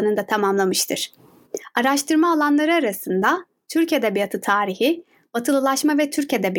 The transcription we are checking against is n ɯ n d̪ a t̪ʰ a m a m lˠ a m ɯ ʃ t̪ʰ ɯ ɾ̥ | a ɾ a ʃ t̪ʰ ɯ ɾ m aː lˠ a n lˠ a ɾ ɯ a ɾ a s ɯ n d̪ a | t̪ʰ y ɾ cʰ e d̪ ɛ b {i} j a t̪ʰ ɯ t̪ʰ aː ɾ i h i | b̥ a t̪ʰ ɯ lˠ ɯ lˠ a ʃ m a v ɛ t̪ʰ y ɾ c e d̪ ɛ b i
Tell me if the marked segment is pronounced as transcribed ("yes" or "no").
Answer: yes